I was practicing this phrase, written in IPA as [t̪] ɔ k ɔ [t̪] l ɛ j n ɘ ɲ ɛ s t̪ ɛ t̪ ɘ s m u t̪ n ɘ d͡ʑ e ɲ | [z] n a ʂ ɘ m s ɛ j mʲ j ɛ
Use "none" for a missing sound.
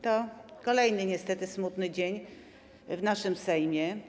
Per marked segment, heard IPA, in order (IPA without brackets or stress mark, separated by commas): t̪, none, v